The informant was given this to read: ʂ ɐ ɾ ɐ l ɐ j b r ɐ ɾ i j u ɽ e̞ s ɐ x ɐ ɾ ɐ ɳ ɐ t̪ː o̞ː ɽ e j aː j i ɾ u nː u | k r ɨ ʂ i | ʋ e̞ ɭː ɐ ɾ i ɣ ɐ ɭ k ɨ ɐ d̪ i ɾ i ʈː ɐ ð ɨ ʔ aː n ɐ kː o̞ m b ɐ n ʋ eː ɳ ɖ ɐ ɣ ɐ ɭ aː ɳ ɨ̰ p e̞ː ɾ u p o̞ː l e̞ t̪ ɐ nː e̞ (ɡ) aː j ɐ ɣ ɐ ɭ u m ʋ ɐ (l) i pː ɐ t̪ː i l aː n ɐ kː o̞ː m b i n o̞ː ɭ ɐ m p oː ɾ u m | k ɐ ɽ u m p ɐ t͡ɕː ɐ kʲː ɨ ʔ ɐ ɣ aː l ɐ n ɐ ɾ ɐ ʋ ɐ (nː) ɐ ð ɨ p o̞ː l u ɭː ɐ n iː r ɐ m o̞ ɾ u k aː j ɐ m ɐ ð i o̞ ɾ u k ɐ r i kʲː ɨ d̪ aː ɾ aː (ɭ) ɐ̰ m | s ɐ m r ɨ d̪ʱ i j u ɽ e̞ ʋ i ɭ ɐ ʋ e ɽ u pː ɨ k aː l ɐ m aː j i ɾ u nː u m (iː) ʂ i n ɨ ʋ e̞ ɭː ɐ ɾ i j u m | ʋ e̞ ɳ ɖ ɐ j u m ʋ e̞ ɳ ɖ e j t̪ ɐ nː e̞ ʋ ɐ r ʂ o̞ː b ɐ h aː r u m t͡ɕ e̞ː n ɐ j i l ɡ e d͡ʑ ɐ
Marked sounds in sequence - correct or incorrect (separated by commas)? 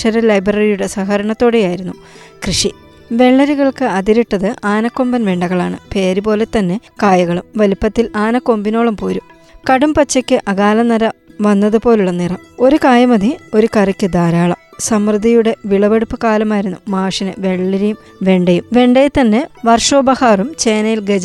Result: incorrect, correct, correct, correct, incorrect